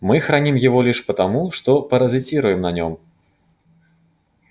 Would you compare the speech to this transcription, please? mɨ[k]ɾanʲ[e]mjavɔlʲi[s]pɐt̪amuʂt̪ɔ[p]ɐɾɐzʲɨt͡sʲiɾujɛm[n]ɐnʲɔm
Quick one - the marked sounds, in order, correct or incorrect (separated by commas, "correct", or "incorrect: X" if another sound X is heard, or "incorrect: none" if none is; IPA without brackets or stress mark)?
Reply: incorrect: x, incorrect: i, incorrect: ʂ, correct, correct